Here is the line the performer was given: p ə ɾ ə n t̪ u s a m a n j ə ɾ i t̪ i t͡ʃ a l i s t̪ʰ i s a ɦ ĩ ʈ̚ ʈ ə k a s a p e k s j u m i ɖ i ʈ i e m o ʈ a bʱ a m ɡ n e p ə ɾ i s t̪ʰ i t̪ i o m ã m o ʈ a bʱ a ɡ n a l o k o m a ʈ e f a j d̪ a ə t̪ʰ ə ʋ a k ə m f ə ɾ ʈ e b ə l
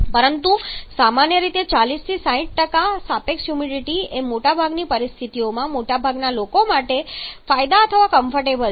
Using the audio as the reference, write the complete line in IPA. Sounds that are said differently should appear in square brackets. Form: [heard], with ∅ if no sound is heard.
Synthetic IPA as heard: p ə ɾ ə n t̪ u s a m a n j ə ɾ i t̪ [e] t͡ʃ a l i s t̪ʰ i s a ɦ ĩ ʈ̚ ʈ ə k a s a p e k s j u m i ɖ i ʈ i e m o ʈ a bʱ a [∅] ɡ n [i] p ə ɾ i s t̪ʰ i t̪ i o m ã m o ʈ a bʱ a ɡ n a l o k o m a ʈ e f a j d̪ a ə t̪ʰ ə ʋ a k ə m f ə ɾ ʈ e b ə l

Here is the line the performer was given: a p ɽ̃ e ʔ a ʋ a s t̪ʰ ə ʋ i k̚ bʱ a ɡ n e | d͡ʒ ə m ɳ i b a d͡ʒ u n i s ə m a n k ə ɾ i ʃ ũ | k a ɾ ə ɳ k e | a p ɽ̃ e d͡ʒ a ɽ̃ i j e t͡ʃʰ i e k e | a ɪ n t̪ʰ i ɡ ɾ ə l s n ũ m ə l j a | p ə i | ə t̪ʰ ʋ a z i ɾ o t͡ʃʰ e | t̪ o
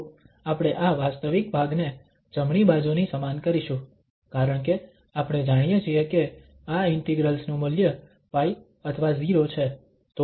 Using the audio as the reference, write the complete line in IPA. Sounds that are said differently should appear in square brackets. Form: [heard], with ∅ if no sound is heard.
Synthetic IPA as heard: a p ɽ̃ e ʔ a ʋ a s [t̪] ə ʋ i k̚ bʱ a ɡ n e | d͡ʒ ə m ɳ i b a d͡ʒ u n i s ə m a n k ə ɾ i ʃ ũ | k a ɾ ə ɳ k e | a p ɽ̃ e d͡ʒ a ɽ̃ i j e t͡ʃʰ i e k e | a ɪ n [t̪] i ɡ ɾ ə l s n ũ m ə l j [ə] | p [a] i | ə t̪ʰ ʋ a z i ɾ o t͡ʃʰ e | t̪ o

